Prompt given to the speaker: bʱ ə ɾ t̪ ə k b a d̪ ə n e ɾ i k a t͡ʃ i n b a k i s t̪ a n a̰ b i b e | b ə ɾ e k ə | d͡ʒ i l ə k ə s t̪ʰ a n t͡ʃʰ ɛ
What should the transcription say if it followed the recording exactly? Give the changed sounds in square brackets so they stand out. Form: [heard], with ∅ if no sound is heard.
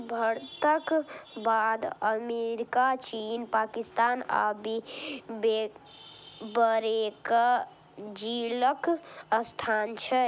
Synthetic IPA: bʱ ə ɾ t̪ ə k b a d̪ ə [m] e ɾ i k a t͡ʃ i n [p] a k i s t̪ a n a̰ b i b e | b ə ɾ e k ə | d͡ʒ i l ə k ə s t̪ʰ a n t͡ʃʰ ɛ